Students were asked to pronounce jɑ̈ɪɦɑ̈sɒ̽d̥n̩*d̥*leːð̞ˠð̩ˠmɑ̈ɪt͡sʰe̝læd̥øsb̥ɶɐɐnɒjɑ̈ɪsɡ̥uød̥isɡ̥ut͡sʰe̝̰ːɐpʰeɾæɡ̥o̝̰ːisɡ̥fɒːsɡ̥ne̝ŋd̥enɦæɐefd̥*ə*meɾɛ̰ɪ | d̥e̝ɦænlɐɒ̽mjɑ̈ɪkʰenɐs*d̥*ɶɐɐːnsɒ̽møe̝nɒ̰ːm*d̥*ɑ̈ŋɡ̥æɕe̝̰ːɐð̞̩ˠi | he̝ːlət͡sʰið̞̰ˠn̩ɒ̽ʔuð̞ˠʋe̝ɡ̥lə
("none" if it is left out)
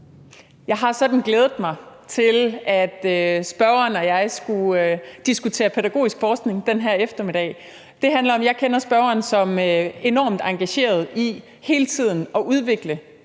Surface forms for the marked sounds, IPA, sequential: ɡ̥, ɐ, b̥, d̥

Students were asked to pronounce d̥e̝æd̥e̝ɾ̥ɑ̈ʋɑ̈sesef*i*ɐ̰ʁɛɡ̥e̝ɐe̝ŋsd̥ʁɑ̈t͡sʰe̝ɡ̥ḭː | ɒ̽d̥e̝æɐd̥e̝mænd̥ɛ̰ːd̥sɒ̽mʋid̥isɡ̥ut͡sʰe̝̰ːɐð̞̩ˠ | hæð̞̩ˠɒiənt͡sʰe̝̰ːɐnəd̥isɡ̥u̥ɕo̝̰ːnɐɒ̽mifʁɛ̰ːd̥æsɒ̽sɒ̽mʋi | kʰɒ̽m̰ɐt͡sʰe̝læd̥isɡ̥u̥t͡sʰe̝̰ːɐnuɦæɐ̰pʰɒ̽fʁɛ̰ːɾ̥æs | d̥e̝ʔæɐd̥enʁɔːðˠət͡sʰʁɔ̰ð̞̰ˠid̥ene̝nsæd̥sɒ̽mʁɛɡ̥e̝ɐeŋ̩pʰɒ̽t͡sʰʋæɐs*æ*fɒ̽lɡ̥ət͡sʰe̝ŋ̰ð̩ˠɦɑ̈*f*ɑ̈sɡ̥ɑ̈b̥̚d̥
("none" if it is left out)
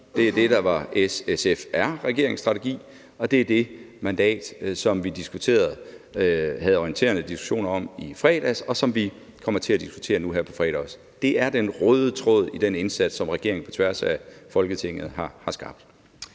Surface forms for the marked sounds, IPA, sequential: æ, æ, h

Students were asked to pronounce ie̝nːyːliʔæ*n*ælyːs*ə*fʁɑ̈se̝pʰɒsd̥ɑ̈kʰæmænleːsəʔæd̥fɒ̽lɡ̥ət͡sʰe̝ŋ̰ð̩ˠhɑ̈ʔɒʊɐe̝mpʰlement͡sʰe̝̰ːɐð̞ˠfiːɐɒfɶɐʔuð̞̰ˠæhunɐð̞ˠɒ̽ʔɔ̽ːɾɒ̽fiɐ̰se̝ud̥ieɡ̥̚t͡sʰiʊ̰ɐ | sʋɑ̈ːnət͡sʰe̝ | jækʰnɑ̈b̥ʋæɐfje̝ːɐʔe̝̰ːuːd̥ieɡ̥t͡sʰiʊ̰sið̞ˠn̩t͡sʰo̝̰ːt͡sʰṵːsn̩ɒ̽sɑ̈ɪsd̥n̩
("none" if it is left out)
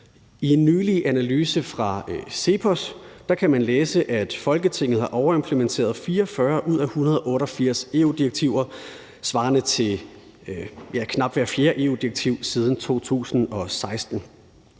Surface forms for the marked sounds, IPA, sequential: n, ə

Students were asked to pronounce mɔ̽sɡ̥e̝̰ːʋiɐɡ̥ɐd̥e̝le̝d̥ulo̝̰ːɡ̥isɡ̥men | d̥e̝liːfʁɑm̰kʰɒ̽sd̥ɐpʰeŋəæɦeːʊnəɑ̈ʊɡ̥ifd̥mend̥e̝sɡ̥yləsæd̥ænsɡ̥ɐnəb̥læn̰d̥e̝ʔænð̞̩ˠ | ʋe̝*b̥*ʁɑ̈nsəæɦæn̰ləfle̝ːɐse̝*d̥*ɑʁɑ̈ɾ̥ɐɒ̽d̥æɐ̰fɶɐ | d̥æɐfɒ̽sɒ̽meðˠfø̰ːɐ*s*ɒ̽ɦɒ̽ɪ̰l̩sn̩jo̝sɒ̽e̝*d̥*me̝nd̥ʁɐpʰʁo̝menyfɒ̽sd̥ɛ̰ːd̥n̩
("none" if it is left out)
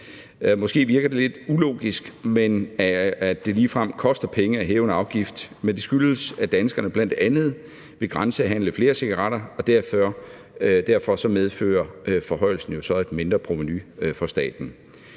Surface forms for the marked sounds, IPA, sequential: ɡ̥, ɡ̥, f, d̥

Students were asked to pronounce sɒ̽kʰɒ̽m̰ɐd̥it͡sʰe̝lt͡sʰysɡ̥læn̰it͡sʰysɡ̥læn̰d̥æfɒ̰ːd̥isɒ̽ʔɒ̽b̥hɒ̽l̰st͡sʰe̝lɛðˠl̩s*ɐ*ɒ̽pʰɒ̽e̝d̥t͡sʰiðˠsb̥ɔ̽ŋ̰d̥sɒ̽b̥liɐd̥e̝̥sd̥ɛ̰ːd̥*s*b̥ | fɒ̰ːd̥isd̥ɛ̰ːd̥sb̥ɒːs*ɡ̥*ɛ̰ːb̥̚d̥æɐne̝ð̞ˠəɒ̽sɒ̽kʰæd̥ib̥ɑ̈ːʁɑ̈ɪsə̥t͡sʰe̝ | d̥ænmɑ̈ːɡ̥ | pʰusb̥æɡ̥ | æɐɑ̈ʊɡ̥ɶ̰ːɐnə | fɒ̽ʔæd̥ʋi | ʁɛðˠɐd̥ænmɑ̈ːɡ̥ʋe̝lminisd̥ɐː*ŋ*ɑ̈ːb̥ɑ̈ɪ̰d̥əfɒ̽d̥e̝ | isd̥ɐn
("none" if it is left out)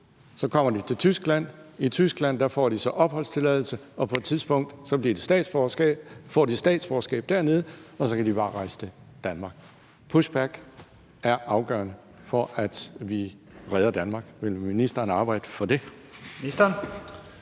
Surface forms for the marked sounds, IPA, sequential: ə, s, ɡ̥, n

